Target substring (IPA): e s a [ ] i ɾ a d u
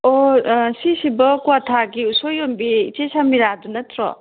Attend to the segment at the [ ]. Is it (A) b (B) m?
B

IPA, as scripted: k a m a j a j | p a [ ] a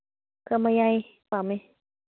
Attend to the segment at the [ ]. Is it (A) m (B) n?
A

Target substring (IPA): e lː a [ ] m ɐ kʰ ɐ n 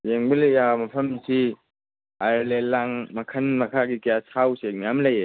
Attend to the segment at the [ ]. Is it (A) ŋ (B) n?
A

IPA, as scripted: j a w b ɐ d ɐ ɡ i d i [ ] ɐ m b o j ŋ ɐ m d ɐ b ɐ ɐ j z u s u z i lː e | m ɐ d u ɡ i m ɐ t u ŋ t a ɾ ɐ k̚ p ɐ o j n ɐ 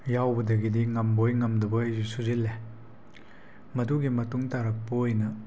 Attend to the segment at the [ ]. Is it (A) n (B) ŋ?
B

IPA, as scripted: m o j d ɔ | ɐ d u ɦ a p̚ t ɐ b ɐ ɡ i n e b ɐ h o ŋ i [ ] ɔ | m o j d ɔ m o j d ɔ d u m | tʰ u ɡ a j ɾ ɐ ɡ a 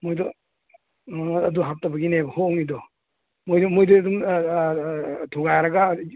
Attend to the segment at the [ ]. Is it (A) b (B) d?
B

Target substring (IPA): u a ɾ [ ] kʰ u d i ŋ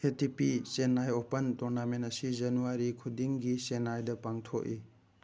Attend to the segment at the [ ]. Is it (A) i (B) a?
A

